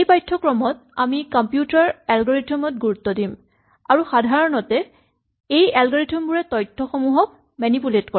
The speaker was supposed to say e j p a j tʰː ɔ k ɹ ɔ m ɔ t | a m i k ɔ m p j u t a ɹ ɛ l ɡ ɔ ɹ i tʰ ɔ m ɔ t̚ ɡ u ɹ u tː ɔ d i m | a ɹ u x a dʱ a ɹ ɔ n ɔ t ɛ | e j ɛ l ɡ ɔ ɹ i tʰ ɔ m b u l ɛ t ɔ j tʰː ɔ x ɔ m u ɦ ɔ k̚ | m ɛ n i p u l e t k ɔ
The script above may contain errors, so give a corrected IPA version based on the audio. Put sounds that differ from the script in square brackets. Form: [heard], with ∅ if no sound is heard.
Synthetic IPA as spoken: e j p a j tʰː ɔ k ɹ ɔ m ɔ t | a m i k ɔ m p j u t a ɹ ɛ l ɡ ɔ ɹ i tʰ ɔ m ɔ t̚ ɡ u ɹ u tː ɔ d i m | a ɹ u x a dʱ a ɹ ɔ n ɔ t ɛ | e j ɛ l ɡ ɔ ɹ i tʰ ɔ m b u [ɹ] ɛ t ɔ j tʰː ɔ x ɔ m u ɦ ɔ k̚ | m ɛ n i p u l e t k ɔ